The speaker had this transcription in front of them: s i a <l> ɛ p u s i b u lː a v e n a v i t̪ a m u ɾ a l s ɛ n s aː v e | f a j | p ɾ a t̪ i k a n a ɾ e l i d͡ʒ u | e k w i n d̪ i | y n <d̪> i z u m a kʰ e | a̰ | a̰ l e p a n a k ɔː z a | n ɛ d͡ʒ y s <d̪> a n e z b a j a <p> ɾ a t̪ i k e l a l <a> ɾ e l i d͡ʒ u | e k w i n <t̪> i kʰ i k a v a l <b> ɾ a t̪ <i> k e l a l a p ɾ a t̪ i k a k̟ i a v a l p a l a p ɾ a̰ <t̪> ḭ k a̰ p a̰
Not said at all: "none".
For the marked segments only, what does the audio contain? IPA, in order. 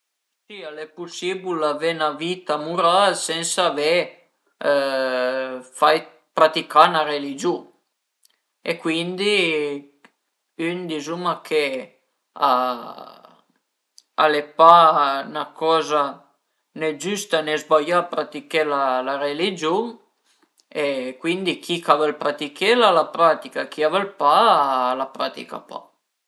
l, d̪, t̪, p, a, d̪, p, i, t̪

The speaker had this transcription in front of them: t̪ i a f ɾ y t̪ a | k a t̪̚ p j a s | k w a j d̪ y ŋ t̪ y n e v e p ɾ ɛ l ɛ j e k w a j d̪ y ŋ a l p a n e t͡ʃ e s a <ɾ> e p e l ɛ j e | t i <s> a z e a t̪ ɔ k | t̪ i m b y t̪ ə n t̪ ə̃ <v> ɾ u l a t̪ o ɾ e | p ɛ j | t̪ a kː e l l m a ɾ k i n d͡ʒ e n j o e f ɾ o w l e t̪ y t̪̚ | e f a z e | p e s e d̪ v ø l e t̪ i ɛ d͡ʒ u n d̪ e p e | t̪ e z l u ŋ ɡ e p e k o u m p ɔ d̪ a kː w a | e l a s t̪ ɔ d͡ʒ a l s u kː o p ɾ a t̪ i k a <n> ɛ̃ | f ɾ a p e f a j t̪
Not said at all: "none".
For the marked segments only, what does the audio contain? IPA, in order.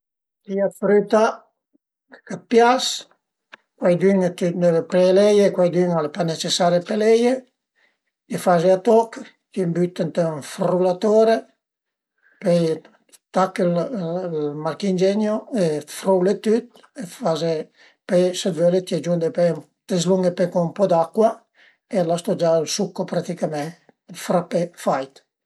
ɾ, f, f, m

